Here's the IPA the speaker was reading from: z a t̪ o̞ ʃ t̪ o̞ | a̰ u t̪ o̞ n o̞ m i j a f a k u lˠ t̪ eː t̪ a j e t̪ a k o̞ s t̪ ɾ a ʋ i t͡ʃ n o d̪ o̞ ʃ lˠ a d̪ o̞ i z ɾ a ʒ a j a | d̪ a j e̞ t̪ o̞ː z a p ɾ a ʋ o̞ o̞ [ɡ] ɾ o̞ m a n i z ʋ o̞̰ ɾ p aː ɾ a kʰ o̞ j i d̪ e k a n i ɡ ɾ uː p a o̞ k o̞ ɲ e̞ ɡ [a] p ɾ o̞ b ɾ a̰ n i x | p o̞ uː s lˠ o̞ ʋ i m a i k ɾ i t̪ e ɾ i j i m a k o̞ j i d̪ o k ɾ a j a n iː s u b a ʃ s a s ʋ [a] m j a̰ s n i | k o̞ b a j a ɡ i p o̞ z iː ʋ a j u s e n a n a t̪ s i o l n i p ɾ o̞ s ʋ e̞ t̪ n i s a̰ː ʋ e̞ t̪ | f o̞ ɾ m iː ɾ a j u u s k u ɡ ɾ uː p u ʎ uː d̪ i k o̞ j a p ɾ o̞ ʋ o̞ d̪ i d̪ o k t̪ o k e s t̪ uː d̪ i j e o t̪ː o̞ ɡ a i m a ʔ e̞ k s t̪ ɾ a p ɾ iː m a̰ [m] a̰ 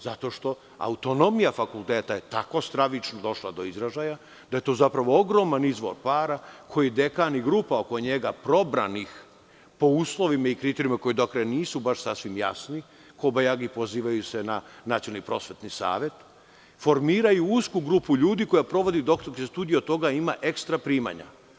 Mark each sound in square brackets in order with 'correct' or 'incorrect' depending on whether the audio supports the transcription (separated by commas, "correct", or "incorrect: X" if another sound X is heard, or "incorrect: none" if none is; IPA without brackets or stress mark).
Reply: correct, correct, incorrect: i, incorrect: ɲ